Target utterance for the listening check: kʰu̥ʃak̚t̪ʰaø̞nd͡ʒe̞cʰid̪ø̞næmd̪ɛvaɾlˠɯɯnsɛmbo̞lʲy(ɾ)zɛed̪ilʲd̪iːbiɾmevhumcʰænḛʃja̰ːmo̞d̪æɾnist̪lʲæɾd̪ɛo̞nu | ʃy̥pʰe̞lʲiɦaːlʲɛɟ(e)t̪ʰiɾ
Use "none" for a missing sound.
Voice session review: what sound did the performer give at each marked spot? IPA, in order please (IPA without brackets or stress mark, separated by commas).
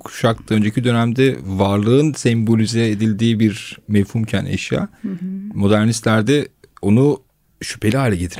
none, e